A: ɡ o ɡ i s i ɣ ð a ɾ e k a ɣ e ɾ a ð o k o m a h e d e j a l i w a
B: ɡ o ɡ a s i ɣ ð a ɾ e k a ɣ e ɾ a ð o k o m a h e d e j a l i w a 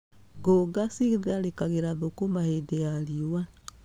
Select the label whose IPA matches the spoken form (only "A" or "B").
B